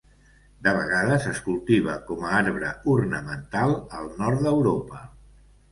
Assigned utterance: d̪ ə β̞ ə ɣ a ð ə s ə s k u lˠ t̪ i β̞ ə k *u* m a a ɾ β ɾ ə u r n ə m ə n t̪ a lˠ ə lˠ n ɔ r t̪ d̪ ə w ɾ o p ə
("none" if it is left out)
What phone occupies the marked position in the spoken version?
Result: ɔ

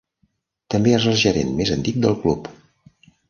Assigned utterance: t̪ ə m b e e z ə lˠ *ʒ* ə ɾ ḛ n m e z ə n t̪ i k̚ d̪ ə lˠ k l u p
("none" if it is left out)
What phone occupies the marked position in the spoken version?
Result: ʒ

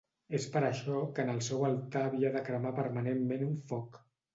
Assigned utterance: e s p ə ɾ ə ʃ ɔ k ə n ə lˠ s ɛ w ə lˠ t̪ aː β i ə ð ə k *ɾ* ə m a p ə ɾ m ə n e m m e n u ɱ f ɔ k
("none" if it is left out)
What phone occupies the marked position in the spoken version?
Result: ɾ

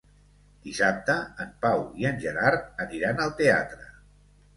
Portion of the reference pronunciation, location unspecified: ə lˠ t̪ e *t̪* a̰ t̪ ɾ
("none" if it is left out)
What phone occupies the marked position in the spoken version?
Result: none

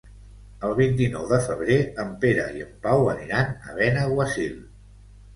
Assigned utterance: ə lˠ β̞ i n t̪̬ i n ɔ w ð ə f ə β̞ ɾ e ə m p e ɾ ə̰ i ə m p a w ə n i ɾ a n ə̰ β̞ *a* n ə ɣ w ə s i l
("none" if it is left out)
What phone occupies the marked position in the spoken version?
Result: ɛ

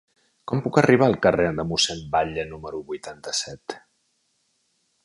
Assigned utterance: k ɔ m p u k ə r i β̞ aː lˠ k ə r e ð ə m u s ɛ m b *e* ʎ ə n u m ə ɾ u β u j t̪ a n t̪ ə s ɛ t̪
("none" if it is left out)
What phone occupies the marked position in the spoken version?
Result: a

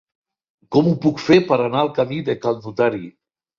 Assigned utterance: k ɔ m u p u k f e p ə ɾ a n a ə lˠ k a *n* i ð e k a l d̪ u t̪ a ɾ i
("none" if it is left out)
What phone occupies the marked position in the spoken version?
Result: m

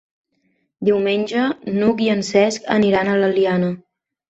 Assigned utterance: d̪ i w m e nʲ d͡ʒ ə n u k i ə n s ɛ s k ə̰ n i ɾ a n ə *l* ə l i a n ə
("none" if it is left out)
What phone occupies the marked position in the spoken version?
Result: l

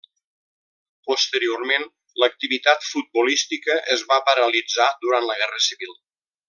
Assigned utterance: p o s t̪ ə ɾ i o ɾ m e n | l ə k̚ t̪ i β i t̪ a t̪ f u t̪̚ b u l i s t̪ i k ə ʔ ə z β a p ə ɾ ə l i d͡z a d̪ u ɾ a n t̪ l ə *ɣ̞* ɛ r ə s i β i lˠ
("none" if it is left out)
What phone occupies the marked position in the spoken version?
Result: ɣ̞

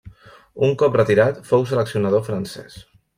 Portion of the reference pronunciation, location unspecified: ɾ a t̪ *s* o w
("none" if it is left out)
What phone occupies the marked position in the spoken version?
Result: f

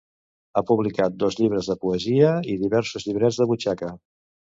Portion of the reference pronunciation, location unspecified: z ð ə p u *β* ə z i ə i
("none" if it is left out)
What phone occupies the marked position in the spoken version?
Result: none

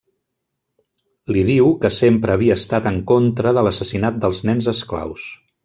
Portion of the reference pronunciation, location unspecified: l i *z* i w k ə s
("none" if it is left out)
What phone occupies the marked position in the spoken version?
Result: ð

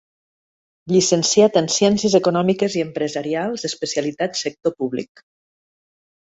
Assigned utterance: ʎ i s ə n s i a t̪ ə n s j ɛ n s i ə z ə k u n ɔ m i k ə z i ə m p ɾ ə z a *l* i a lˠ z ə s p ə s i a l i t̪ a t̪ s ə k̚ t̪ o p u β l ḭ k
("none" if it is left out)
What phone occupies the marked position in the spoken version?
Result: ɾ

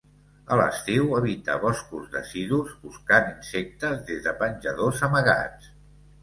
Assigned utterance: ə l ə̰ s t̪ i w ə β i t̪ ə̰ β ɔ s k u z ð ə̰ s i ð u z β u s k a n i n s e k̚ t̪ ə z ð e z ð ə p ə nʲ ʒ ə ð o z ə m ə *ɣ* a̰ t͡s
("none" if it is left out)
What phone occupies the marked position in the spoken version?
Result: ɣ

